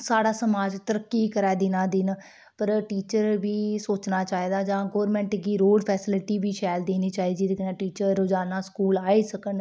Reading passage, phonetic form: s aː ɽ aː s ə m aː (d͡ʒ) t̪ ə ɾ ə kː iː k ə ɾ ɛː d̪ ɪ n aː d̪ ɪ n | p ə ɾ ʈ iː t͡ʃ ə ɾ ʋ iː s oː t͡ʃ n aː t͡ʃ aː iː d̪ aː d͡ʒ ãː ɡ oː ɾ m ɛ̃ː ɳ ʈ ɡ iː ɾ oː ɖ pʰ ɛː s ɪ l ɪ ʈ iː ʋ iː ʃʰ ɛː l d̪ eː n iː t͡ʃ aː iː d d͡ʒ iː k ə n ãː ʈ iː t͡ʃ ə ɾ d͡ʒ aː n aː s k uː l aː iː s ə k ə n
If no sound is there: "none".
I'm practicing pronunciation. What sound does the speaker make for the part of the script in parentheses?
d͡ʒ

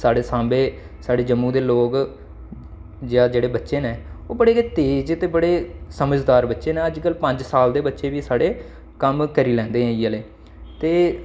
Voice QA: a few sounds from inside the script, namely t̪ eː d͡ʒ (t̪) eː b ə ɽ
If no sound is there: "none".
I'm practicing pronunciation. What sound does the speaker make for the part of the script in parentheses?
t̪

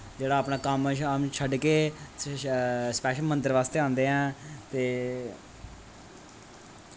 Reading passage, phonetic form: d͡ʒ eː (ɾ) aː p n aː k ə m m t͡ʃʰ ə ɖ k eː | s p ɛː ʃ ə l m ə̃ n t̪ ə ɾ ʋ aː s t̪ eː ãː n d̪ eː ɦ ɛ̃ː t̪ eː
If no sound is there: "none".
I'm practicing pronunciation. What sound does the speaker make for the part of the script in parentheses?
ɽ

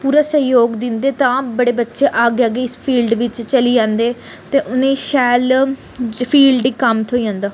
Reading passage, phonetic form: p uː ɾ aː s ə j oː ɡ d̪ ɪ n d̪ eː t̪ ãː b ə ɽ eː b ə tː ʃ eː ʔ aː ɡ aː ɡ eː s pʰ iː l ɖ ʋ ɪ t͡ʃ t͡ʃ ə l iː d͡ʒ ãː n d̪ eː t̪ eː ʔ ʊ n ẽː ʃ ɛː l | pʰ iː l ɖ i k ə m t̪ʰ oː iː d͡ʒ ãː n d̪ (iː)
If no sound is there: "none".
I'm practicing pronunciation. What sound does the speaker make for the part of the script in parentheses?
aː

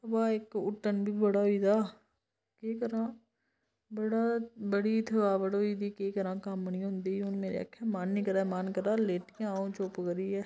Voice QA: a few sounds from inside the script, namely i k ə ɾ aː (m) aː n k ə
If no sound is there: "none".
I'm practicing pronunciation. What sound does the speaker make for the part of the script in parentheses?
m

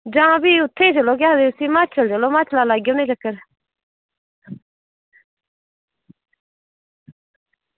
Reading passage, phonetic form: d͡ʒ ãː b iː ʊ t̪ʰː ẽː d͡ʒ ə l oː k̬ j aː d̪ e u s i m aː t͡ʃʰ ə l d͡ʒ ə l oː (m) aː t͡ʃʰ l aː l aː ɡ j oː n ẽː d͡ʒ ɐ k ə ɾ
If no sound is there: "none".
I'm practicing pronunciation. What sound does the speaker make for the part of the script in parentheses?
m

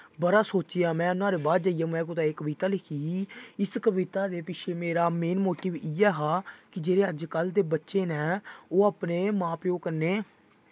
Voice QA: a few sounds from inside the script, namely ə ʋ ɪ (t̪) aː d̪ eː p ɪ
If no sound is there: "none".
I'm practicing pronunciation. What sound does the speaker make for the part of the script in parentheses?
t̪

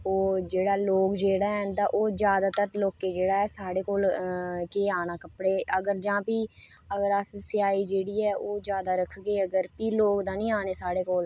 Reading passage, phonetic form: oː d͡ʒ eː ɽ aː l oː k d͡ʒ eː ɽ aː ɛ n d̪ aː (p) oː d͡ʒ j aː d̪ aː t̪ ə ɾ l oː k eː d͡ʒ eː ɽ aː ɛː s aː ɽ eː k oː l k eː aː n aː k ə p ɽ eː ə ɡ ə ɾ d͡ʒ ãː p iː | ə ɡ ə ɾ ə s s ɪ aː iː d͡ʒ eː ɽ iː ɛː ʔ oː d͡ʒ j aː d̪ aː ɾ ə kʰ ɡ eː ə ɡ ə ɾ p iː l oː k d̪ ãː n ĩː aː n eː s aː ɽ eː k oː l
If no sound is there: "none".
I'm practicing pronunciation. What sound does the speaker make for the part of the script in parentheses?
ʔ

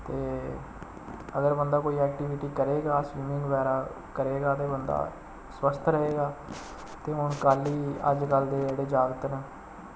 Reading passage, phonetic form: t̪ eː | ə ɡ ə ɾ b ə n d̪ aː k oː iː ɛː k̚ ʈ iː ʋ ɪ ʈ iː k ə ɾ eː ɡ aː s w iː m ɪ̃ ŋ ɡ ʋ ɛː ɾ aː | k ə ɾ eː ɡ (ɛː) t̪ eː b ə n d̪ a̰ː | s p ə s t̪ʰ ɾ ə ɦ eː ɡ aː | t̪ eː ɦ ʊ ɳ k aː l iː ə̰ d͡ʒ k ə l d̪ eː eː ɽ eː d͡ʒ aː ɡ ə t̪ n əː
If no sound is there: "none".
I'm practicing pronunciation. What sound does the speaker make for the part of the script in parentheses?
aː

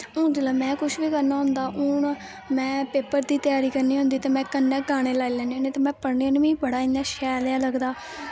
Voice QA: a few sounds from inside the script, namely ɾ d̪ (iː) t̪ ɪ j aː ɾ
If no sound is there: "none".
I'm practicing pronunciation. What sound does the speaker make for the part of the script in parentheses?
iː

